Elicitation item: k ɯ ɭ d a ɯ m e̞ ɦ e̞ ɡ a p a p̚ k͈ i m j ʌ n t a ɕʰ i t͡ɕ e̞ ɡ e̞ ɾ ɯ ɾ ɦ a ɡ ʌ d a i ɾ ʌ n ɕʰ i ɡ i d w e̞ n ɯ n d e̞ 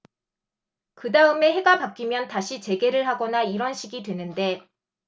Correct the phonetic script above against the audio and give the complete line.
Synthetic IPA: k ɯ d a ɯ m e̞ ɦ e̞ ɡ a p a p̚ k͈ i m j ʌ n t a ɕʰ i t͡ɕ e̞ ɡ e̞ ɾ ɯ ɭ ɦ a ɡ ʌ n a i ɾ ʌ n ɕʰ i ɡ i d w e̞ n ɯ n d e̞